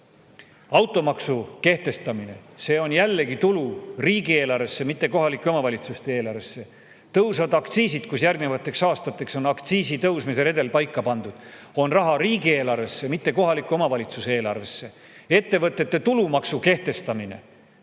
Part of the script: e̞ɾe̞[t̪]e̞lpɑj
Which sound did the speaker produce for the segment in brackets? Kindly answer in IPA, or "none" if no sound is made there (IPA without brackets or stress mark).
d̪